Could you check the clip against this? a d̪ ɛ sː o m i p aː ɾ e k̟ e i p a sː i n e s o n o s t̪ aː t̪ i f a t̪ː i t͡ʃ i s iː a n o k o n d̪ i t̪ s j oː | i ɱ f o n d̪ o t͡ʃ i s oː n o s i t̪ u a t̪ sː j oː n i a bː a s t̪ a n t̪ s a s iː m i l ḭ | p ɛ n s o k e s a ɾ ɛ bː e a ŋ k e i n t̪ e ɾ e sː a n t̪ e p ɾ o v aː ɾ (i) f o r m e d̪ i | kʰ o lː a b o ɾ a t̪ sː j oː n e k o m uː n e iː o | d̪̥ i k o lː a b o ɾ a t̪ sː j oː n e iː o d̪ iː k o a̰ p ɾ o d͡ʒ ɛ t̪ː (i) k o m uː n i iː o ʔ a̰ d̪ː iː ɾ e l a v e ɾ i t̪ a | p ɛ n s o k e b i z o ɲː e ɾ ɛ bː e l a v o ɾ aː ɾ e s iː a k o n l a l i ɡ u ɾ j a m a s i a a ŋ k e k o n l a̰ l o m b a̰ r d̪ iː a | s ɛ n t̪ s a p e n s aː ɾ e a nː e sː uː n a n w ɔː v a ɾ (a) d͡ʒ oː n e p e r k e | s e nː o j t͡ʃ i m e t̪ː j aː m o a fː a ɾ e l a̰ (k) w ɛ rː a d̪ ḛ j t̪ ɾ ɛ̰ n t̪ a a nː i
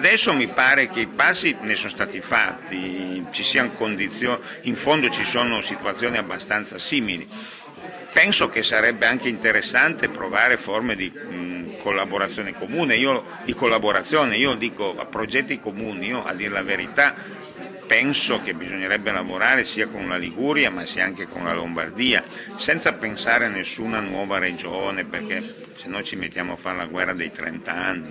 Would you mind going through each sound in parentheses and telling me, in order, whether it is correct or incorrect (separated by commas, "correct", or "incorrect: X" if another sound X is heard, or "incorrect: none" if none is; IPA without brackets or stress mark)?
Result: incorrect: e, correct, incorrect: e, incorrect: ɡ